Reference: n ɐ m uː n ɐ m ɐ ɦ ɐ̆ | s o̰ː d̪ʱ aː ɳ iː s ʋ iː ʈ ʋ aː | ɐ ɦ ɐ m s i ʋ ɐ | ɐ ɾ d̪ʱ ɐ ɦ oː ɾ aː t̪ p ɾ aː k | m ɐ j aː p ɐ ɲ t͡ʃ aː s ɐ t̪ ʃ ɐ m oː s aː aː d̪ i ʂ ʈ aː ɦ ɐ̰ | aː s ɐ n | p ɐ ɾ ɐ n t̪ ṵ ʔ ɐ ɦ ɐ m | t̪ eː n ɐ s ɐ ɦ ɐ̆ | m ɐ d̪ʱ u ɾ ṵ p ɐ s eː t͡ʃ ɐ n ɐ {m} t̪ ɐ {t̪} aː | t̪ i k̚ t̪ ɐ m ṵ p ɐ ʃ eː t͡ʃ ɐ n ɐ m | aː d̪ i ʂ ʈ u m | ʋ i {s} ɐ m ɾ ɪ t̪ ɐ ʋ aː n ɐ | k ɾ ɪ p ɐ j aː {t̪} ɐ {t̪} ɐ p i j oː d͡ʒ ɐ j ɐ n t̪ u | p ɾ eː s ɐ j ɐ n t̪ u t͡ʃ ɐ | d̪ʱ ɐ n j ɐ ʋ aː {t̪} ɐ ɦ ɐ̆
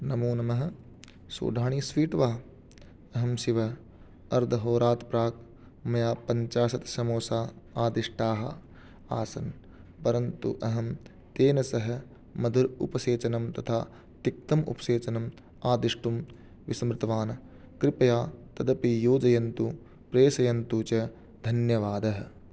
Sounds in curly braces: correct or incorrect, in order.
correct, incorrect, correct, correct, incorrect, incorrect

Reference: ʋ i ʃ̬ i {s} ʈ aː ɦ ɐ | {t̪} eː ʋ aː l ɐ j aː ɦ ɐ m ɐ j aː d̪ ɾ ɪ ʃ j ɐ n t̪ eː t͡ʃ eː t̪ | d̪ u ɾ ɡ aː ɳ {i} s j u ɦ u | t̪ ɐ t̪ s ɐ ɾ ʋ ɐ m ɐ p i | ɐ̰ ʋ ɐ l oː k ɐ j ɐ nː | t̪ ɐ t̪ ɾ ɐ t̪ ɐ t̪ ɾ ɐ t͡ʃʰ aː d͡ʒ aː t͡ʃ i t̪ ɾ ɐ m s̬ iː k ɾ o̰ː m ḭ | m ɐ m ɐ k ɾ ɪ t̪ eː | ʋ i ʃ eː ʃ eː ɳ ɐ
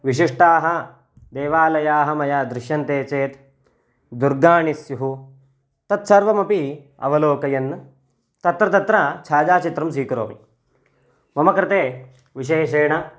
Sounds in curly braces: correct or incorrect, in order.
incorrect, incorrect, correct

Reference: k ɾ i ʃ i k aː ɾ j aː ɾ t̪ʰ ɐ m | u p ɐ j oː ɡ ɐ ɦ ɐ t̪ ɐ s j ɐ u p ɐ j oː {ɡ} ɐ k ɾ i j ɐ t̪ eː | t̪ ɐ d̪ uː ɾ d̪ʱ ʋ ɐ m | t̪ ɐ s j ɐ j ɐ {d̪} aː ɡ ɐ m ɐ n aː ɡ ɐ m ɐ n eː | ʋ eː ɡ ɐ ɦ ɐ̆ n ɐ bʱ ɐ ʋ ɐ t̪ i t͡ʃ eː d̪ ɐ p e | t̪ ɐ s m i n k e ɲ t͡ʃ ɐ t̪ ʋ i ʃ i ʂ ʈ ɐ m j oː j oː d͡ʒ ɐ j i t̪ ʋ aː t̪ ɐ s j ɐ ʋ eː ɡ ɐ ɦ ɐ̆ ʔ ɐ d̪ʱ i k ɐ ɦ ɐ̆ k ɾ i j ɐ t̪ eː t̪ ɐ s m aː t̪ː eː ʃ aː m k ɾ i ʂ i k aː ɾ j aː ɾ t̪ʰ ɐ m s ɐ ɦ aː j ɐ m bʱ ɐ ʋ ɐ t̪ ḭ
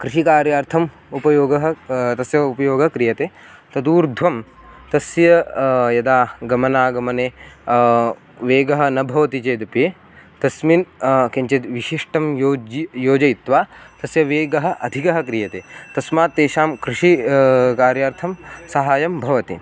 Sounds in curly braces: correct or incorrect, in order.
correct, correct

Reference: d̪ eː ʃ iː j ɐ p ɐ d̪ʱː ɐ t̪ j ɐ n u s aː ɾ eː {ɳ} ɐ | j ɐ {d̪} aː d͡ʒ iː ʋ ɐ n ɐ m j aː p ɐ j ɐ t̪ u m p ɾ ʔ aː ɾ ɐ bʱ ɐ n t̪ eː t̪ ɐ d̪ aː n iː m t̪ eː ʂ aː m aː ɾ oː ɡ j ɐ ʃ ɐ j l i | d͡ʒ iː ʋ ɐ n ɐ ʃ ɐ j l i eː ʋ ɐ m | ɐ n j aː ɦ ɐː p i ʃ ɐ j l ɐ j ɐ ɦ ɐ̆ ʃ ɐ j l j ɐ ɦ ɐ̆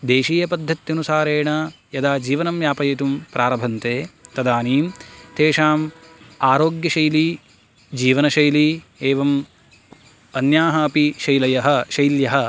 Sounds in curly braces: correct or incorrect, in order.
correct, correct

